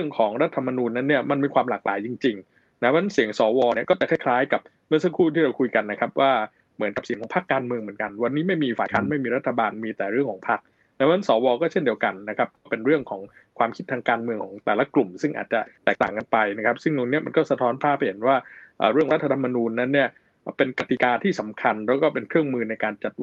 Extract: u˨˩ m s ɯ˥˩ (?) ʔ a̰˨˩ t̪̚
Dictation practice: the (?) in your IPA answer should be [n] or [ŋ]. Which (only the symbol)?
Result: ŋ